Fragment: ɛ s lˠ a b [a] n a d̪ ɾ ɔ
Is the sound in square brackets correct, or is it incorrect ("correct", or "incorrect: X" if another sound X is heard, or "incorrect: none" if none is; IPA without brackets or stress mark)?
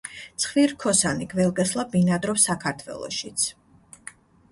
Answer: incorrect: i